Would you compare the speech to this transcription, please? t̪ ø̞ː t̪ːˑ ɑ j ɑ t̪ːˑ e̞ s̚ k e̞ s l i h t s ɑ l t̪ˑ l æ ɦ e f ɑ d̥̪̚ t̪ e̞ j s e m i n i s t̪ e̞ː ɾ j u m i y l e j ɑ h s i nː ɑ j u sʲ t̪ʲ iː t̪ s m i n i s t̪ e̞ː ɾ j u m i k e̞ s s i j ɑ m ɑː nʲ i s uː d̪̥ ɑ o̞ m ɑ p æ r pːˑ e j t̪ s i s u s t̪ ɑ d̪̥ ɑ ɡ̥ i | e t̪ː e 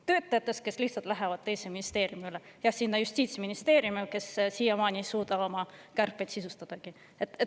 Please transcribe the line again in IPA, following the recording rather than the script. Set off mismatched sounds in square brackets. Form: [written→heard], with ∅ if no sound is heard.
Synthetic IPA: t̪ ø̞ː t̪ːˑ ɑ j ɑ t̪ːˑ e̞ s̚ k e̞ s l i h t s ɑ l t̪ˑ l æ ɦ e [f→v] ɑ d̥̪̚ t̪ e̞ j s e m i n i s t̪ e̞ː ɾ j u m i y l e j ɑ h s i nː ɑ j u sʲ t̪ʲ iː t̪ s m i n i s t̪ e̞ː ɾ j u m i k e̞ s s i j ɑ m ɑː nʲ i s uː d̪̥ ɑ o̞ m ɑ [p→k] æ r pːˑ e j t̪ s i s u s t̪ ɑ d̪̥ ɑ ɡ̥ i | e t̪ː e

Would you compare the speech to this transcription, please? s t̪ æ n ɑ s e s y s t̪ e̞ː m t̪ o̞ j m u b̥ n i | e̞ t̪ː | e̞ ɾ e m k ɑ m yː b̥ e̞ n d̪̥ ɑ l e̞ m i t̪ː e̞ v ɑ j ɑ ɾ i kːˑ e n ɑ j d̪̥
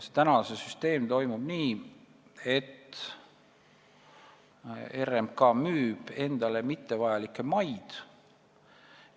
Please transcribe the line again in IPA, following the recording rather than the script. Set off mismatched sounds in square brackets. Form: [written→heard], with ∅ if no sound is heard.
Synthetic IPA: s t̪ æ n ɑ s e s y s t̪ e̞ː m t̪ o̞ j m u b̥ n [i→iː] | e̞ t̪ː | e̞ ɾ e m k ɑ m yː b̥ e̞ n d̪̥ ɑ l e̞ m i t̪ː e̞ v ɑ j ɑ [ɾ→l] i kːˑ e [n→m] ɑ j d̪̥

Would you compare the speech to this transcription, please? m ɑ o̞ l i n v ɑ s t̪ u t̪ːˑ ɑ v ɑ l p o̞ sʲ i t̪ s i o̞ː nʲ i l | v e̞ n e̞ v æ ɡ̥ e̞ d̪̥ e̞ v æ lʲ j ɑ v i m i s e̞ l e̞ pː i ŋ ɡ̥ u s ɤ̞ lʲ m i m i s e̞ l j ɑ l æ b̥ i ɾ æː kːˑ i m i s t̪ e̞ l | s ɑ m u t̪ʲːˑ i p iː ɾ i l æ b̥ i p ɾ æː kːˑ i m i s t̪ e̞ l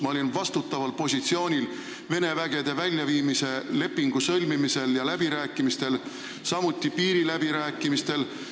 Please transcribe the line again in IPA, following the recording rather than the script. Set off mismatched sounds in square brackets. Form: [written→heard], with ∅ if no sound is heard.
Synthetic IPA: m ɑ o̞ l i n v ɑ s t̪ u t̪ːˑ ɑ v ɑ l p o̞ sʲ i t̪ s i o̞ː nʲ i l | v e̞ n e̞ v æ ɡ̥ e̞ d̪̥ e̞ v æ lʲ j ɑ v [i→iː] m i s e̞ l e̞ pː i ŋ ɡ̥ u s ɤ̞ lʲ m i m i s e̞ l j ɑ l æ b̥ i ɾ æː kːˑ i m i s t̪ e̞ l | s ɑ m u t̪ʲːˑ i p iː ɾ i l æ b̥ i [p→∅] ɾ æː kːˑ i m i s t̪ e̞ l

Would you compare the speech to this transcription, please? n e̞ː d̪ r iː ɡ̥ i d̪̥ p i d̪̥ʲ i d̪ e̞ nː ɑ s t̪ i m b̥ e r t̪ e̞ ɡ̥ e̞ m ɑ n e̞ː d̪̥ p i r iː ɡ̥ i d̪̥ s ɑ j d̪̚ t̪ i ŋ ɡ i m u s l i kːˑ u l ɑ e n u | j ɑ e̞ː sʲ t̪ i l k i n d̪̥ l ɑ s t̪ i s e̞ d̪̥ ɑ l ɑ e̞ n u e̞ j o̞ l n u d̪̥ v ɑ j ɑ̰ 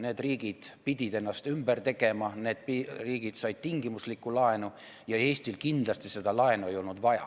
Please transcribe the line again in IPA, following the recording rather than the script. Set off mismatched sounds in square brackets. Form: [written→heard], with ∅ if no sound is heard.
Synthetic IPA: n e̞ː d̪ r iː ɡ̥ i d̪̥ p i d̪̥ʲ i d̪ e̞ nː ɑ s t̪ [i→y] m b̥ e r t̪ e̞ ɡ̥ e̞ m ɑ n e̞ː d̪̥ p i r iː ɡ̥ i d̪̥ s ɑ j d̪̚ t̪ i ŋ ɡ i m u s l i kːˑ u l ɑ e n u | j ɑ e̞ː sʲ t̪ i l k i n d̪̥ l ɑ s t̪ i s e̞ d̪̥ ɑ l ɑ e̞ n u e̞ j o̞ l n u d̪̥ v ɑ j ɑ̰

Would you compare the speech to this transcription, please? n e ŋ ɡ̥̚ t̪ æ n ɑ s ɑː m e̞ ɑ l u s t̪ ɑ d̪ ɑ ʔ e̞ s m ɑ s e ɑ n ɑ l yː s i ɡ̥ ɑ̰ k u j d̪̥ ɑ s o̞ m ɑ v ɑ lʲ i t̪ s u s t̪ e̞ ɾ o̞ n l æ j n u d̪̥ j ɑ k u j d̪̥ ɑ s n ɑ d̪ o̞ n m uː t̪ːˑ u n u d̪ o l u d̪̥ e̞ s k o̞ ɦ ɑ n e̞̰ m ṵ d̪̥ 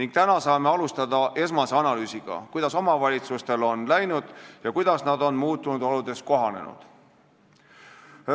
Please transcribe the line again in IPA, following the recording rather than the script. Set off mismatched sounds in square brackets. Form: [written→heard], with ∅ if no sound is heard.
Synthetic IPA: n [e→i] ŋ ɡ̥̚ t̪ æ n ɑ s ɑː m e̞ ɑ l u s t̪ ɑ d̪ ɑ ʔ e̞ s m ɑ s e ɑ n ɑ l yː s i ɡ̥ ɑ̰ k u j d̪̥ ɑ s o̞ m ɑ v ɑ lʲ i t̪ s u s t̪ e̞ [ɾ→l] o̞ n l æ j n u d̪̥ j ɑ k u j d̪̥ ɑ s n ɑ d̪ o̞ n m uː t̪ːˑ u n u d̪ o l u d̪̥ e̞ s k o̞ ɦ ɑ n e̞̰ [m→n] ṵ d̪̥

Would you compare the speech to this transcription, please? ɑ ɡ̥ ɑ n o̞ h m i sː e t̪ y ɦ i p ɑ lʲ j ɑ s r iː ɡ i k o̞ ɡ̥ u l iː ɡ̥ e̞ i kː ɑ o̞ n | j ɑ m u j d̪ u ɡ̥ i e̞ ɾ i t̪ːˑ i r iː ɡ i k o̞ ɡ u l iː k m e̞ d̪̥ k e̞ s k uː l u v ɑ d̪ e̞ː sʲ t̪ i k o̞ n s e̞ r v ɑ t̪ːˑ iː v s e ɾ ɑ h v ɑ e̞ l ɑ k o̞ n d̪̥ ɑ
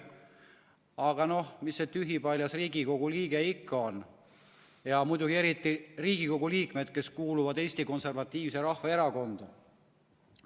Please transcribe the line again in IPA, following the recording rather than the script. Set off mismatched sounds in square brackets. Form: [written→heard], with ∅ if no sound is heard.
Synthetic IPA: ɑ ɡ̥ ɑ n o̞ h m i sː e t̪ y ɦ i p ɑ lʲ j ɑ s r iː ɡ i k o̞ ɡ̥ u l iː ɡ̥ e̞ i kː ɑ o̞ n | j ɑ m u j d̪ u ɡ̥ i e̞ ɾ i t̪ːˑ i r iː ɡ i k o̞ ɡ u l iː k m e̞ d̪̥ k e̞ s k uː l u v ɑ d̪ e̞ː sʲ t̪ i k o̞ n s e̞ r v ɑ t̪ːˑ iː v s e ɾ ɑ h v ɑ e̞ [l→ɾ] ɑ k o̞ n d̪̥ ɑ

